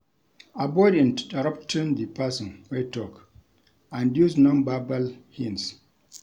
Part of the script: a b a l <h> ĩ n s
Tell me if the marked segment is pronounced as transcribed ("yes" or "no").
yes